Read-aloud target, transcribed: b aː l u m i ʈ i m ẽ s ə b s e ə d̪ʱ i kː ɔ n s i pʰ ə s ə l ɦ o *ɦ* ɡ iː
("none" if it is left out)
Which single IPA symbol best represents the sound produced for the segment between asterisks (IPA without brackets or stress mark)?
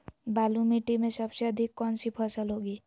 none